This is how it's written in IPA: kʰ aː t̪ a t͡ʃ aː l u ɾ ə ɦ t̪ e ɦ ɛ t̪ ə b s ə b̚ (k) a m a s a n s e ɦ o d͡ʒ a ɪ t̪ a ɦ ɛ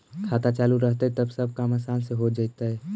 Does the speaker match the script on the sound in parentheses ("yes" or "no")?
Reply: yes